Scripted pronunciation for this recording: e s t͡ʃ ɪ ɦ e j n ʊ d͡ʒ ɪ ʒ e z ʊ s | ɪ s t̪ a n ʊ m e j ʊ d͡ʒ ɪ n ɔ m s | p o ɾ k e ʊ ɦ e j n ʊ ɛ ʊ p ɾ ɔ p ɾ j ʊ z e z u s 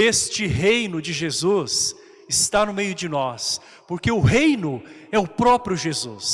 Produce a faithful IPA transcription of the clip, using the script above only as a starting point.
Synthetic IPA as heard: e s t͡ʃ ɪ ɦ e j n ʊ d͡ʒ ɪ ʒ e z u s | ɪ s t̪ a n ʊ m e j ʊ d͡ʒ ɪ n ɔ s | p o ɾ k e ʊ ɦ e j n ʊ ɛ ʊ p ɾ ɔ p ɾ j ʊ ʒ e z u s

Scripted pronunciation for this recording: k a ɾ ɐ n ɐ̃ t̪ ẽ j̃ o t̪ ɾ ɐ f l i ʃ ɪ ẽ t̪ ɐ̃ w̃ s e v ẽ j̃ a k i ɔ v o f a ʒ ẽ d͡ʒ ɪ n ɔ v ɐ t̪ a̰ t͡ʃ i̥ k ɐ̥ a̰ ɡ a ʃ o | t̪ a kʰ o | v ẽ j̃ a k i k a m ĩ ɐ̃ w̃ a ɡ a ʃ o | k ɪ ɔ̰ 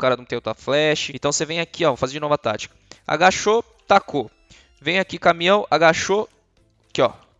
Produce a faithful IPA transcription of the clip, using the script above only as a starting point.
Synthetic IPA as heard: k a ɾ ɐ n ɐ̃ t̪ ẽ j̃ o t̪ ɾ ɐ f l ɛ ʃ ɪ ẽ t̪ ɐ̃ w̃ s e v ẽ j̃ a k i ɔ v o f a z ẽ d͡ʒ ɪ n ɔ v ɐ t̪ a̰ t͡ʃ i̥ k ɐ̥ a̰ ɡ a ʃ o | t̪ a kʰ o | v ẽ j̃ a k i k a m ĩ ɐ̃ w̃ a ɡ a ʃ o | k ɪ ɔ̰

